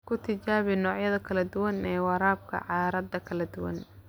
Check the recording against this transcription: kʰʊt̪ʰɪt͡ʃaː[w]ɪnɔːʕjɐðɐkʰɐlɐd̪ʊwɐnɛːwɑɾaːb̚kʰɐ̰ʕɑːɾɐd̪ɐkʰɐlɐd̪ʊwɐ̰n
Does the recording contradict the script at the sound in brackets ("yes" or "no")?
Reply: yes